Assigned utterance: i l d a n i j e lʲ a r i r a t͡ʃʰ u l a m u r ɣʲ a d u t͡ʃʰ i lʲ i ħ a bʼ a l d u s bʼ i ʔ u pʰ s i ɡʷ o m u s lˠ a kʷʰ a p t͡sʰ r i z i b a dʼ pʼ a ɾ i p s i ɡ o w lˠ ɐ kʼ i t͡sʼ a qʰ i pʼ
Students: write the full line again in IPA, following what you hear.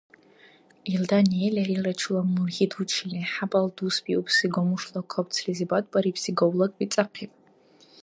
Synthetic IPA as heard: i l d a n i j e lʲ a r i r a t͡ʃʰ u l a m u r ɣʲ i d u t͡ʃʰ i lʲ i ħ a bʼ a l d u s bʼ i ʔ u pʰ s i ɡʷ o m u ʂ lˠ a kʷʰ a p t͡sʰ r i z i b a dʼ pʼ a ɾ i p s i ɡ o w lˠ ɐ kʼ i t͡sʼ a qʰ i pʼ